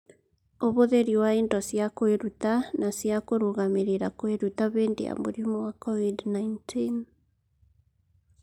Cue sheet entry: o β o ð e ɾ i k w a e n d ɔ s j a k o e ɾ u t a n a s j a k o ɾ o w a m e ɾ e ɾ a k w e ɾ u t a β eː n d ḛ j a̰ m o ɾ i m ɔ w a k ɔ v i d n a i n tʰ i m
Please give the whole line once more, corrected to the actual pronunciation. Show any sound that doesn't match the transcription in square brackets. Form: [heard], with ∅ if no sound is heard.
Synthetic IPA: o β o ð e ɾ i [∅] w a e n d ɔ s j a k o e ɾ u t a n a s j a k o ɾ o [ɣ] a m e ɾ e ɾ a k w e ɾ u t a β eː n d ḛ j a̰ m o ɾ i m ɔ w a k ɔ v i d n a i n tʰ i [n]